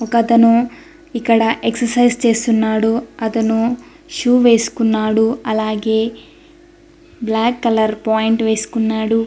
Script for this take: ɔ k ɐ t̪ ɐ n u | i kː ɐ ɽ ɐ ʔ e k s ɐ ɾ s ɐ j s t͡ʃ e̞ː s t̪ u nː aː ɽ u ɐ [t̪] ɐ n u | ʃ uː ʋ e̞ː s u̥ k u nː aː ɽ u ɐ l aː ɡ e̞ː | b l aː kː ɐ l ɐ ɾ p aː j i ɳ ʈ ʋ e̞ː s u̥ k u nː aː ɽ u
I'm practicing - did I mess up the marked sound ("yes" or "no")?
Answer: no